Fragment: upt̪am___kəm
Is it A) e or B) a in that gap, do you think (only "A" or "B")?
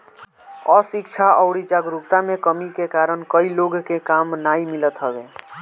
A